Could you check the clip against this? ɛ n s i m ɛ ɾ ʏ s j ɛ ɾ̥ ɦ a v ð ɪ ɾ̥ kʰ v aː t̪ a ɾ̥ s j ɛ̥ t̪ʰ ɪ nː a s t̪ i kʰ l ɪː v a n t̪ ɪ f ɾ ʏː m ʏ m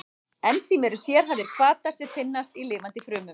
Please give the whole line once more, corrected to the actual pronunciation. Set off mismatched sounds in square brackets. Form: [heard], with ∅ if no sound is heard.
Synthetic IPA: ɛ n s i m ɛ ɾ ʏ s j ɛ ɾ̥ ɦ a v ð ɪ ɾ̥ kʰ v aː t̪ a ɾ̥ s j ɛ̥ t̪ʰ ɪ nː a s t̪ i [∅] l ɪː v a n t̪ ɪ f ɾ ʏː m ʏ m